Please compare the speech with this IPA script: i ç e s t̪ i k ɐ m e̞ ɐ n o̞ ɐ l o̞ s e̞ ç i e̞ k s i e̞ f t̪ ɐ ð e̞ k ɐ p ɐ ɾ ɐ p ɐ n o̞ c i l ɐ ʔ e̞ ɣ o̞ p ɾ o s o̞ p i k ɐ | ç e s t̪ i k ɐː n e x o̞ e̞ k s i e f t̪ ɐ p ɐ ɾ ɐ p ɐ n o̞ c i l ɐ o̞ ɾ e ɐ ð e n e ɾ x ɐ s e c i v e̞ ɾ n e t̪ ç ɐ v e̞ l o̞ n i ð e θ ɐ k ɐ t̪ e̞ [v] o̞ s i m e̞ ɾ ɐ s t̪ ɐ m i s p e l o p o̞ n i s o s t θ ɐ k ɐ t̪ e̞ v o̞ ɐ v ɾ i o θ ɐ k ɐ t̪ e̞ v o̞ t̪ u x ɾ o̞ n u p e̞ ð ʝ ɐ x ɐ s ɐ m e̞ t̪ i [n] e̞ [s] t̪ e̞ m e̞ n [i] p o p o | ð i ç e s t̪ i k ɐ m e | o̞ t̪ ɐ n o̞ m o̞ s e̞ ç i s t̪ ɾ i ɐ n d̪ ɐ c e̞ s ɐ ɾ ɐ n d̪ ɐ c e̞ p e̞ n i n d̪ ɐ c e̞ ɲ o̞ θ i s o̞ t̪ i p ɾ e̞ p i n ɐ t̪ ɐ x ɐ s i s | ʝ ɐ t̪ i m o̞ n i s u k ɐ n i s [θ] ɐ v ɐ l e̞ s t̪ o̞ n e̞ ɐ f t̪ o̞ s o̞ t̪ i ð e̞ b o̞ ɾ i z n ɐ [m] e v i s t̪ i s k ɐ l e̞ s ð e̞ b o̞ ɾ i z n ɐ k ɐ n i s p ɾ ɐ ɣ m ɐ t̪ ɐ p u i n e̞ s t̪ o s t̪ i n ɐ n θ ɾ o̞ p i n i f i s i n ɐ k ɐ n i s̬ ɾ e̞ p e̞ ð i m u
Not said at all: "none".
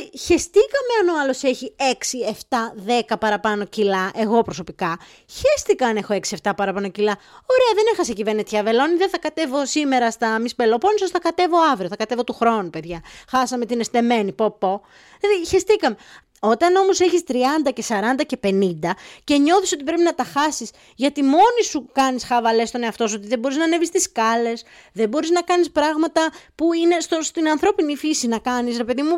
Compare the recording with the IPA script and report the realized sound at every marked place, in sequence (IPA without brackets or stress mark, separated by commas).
v, n, s, i, x, n